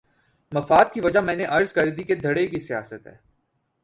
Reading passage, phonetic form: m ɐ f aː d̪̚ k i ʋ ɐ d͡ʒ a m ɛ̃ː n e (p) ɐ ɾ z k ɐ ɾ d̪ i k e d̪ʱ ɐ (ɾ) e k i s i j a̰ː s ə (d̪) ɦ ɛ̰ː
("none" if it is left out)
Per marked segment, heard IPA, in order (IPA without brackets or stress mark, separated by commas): ʔ, ɽ, t̪